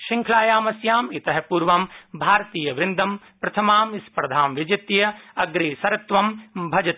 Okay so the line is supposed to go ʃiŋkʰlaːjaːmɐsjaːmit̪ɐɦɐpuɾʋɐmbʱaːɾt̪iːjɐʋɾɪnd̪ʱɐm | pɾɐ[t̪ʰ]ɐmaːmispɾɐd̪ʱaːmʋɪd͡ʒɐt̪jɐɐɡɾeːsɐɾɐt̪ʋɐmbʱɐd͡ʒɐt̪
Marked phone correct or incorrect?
correct